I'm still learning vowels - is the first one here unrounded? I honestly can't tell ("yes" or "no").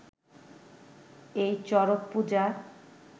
yes